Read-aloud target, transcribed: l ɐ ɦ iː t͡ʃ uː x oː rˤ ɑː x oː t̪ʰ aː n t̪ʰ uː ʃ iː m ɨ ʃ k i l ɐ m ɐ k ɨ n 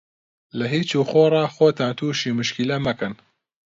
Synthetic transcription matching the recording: l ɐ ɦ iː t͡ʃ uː x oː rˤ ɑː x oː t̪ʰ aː n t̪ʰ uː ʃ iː m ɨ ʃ k i l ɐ m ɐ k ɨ n

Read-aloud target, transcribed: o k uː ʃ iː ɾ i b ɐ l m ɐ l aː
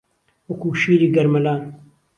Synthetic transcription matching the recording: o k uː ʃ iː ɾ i ɡ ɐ ɾ m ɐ l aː

